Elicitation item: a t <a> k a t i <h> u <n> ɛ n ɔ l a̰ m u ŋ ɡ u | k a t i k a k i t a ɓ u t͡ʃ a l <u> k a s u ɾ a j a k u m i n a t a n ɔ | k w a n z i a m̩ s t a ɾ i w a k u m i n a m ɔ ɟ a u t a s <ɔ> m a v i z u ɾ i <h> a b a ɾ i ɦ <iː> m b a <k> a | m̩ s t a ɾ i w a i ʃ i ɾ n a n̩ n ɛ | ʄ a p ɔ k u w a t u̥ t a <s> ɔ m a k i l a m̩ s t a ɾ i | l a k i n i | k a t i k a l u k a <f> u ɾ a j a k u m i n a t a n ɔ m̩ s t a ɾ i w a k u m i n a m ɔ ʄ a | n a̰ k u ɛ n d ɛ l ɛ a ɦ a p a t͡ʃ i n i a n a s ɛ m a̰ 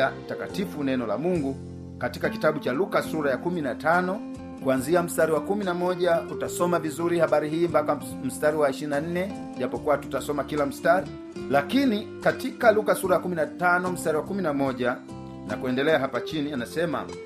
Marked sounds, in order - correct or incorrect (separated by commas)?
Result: correct, incorrect, correct, correct, correct, correct, correct, correct, correct, incorrect